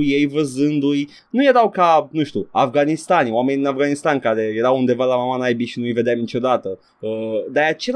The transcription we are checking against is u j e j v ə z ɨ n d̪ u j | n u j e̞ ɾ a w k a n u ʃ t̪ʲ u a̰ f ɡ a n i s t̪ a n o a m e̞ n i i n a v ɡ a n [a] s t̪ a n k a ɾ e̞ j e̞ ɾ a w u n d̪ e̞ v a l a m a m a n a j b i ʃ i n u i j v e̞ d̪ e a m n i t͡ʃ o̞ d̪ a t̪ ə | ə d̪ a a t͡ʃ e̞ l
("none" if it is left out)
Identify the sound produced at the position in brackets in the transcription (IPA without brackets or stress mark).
i